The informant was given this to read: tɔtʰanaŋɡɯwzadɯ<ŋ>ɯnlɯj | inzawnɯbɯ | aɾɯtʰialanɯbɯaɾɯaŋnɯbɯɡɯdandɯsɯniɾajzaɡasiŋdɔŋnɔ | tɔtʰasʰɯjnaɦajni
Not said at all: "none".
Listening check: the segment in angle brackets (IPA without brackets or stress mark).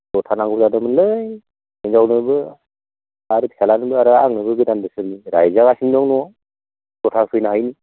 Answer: m